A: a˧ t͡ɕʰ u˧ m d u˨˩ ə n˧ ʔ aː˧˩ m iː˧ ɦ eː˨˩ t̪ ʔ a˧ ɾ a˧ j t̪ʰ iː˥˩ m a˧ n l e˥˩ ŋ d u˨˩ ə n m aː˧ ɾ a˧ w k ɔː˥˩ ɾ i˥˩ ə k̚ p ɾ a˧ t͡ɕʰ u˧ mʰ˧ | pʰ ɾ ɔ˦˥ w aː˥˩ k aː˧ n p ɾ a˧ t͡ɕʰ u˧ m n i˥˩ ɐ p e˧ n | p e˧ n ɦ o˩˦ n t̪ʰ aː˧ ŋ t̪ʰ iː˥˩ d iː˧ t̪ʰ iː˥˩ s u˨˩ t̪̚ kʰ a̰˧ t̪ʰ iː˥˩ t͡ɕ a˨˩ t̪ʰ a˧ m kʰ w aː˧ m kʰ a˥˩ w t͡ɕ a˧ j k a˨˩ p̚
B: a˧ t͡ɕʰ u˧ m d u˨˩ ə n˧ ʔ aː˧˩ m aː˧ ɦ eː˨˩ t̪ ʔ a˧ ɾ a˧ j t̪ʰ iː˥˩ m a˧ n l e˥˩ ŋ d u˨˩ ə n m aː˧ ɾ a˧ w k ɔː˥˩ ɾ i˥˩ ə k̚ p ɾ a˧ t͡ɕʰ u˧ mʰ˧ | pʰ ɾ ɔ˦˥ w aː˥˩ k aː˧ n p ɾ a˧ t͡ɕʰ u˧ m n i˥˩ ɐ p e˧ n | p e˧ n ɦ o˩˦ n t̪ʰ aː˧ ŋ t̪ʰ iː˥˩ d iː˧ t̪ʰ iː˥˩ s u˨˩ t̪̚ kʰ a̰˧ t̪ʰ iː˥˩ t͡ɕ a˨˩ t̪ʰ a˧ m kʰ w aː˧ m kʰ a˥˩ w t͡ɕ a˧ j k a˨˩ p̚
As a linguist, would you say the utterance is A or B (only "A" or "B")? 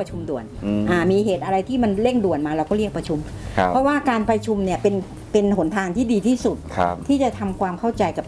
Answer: A